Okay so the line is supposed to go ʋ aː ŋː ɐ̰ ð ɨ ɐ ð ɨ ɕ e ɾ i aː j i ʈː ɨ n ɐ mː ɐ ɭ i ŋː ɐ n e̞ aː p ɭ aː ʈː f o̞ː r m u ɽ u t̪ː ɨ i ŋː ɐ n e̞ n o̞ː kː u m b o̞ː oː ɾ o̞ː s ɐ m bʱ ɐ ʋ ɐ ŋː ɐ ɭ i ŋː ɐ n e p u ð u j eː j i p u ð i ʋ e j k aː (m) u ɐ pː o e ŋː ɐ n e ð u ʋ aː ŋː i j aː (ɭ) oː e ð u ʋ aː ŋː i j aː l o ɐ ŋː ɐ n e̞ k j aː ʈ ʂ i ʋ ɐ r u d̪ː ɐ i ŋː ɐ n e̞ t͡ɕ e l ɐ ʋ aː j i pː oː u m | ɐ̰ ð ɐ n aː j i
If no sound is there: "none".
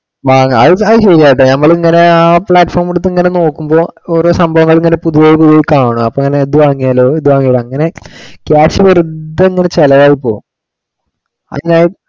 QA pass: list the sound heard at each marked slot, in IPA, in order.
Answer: ɳ, l

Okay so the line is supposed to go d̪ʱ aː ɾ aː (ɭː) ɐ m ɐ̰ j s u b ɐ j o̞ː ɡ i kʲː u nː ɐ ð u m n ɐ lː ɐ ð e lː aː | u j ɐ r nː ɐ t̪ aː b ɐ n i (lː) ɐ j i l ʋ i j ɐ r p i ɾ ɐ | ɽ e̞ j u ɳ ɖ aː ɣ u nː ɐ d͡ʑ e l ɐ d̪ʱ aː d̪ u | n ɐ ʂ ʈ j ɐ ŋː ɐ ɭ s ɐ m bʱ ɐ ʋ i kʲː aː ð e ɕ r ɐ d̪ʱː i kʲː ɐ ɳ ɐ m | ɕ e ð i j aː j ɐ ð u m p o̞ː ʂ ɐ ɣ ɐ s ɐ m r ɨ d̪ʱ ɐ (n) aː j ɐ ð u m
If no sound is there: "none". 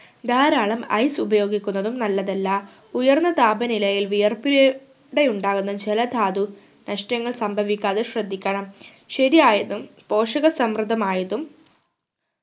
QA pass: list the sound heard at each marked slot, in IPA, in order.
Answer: ɭ, l, m

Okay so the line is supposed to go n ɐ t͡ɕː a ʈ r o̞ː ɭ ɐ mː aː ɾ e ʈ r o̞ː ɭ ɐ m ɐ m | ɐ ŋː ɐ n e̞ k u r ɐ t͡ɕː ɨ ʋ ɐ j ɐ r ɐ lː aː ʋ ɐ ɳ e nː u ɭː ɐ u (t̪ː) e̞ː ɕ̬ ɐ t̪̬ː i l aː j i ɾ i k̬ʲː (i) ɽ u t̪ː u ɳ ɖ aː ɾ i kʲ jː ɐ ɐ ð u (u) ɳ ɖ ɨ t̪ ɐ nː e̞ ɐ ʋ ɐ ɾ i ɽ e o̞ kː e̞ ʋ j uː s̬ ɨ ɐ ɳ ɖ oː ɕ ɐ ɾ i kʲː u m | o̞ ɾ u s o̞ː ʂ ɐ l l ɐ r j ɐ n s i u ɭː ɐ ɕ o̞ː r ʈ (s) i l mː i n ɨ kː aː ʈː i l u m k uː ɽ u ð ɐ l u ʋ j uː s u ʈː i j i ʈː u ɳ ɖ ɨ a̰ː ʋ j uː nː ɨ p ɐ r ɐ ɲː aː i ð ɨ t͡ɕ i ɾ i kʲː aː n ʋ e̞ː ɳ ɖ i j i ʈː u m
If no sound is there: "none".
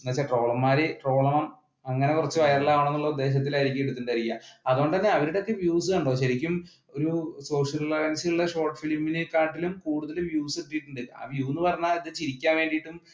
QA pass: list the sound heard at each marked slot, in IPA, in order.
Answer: d̪ː, e, o, f

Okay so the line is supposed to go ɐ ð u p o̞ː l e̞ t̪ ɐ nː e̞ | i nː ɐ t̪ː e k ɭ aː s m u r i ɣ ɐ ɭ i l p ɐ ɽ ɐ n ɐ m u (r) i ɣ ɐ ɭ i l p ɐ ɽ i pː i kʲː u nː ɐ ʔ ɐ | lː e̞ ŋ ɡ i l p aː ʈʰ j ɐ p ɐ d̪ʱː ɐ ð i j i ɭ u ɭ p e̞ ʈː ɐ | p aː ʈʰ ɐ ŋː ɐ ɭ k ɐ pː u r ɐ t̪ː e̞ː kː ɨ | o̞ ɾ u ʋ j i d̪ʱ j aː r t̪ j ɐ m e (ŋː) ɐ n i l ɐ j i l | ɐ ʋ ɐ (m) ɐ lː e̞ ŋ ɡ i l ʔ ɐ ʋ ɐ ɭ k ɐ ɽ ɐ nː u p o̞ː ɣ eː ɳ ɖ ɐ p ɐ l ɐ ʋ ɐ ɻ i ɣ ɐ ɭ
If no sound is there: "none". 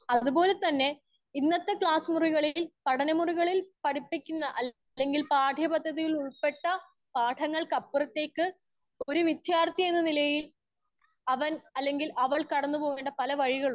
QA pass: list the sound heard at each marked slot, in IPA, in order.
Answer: r, nː, n

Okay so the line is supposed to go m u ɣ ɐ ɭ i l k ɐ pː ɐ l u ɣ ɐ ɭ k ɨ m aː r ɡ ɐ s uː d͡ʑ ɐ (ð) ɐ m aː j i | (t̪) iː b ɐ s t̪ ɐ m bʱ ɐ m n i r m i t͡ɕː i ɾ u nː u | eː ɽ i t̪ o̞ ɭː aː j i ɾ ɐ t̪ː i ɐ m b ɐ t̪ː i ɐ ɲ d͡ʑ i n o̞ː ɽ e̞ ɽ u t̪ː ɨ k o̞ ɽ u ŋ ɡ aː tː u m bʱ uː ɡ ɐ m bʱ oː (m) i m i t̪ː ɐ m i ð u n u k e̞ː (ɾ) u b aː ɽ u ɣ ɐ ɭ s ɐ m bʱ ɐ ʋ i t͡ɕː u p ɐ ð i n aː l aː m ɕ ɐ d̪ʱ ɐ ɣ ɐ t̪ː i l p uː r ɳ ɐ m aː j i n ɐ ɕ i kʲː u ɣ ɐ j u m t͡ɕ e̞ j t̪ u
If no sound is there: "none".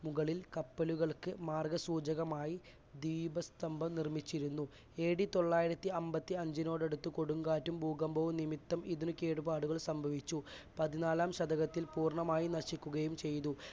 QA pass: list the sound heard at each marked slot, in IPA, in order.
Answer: ɣ, d̪, n, ɽ

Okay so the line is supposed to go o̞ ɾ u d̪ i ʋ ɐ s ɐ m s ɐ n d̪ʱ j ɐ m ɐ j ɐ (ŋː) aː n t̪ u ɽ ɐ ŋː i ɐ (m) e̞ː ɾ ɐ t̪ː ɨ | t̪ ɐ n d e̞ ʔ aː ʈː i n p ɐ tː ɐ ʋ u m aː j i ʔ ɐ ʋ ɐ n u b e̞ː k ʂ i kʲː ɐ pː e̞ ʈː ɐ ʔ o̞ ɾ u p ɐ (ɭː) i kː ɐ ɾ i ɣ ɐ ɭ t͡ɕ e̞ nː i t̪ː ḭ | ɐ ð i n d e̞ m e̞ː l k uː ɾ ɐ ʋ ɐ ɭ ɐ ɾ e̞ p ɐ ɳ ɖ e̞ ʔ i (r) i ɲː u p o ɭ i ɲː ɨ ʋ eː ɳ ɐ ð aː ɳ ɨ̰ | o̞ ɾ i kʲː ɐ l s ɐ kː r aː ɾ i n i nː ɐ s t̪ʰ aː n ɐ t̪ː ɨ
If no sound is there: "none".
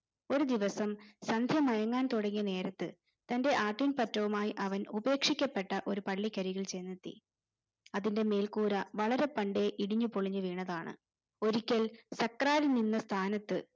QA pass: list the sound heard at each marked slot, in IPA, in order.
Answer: ŋː, n, ɭː, ɽ

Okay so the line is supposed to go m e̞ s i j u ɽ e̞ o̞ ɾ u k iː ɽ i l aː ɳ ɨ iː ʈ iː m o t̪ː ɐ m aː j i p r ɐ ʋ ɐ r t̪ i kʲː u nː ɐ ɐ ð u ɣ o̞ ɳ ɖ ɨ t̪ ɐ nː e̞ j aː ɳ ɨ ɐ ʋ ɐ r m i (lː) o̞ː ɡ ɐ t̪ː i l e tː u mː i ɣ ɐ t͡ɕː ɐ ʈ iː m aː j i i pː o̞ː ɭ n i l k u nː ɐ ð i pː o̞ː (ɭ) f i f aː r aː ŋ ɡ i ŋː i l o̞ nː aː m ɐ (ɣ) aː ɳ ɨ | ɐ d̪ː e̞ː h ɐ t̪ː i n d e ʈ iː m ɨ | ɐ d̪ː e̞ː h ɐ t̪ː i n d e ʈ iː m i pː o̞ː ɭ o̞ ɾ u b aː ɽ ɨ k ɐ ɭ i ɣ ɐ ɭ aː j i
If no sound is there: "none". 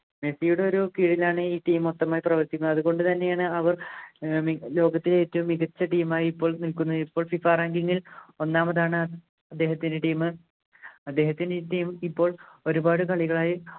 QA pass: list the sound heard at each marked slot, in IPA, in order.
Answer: l, ɭ, ð

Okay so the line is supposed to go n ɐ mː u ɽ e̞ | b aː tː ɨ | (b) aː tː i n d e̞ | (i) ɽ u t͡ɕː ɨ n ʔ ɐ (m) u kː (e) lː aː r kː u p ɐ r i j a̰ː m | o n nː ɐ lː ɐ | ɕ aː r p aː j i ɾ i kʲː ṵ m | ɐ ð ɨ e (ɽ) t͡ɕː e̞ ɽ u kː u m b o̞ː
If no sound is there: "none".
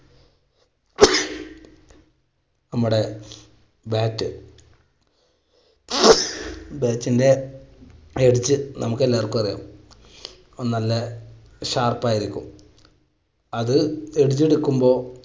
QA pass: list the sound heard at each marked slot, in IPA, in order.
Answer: b, e, m, e, ɽ

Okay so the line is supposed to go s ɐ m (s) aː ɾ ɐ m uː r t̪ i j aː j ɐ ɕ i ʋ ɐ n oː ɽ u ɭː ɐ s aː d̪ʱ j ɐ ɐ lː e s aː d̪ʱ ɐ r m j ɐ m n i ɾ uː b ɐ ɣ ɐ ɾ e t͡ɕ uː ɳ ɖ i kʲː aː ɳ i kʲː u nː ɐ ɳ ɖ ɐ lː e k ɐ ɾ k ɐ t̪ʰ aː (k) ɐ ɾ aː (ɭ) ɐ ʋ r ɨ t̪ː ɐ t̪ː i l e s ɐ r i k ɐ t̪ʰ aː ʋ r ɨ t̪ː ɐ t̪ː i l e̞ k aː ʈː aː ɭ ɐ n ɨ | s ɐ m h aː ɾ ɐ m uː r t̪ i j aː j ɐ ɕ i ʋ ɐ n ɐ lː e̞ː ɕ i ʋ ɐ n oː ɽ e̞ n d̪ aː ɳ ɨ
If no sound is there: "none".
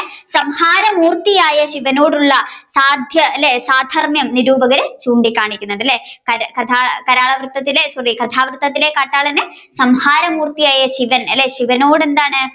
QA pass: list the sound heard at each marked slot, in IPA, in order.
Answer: h, k, ɭ

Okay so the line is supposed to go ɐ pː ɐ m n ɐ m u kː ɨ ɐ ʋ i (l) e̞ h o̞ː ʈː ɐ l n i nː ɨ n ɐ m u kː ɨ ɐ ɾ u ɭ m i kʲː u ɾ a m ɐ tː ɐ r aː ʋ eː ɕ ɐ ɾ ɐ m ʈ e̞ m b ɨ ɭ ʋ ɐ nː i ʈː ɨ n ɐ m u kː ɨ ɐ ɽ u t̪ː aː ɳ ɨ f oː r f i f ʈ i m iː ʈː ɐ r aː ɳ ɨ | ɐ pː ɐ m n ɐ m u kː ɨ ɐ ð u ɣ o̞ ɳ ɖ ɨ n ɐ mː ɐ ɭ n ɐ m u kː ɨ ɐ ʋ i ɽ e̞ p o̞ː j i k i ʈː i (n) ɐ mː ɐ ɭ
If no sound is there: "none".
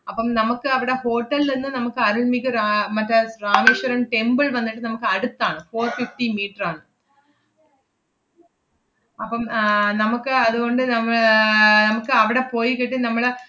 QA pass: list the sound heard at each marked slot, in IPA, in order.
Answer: ɽ, n

